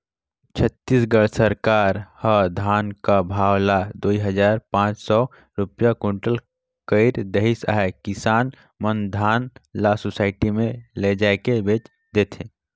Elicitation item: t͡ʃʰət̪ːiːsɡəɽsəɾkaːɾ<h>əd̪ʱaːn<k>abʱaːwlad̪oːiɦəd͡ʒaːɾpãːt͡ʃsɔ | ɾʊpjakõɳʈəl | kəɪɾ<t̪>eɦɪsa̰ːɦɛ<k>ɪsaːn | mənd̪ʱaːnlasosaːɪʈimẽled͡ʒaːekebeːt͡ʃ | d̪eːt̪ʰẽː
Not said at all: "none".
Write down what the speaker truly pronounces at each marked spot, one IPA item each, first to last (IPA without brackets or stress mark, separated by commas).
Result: h, k, d̪, k